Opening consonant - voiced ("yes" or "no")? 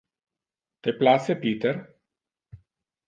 no